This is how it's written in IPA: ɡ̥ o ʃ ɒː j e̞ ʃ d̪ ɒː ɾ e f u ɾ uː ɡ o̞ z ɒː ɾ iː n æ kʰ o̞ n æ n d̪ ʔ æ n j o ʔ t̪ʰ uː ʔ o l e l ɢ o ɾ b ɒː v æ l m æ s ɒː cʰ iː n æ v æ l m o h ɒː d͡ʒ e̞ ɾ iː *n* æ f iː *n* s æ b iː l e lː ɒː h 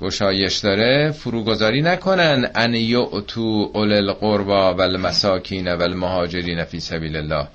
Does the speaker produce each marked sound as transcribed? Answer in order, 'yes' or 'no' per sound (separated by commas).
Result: yes, no